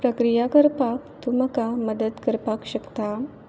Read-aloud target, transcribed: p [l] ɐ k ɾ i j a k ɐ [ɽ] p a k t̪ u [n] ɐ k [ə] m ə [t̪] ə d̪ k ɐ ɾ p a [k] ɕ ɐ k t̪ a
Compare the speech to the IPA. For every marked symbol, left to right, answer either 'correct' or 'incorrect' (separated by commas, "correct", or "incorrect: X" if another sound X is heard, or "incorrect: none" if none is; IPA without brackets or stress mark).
incorrect: ɾ, incorrect: ɾ, incorrect: m, incorrect: a, incorrect: d̪, correct